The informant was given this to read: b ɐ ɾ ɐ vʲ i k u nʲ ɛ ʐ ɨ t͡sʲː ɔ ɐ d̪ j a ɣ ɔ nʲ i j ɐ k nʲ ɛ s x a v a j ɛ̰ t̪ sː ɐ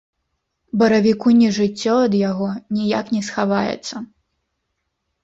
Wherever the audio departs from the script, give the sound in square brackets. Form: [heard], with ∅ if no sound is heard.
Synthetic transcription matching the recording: b ɐ ɾ ɐ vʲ i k u nʲ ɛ ʐ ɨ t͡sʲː ɔ ɐ d̪ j a ɣ ɔ nʲ i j [a] k nʲ ɛ s x a v a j ɛ̰ t̪ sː ɐ